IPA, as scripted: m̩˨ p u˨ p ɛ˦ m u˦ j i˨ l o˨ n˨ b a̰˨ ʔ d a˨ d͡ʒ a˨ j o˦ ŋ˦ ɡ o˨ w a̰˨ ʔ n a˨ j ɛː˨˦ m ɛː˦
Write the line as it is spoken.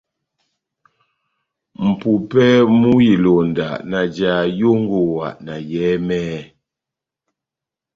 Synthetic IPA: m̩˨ p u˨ p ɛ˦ m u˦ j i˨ l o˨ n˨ d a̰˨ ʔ n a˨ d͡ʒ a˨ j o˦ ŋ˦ ɡ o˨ w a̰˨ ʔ n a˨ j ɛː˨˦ m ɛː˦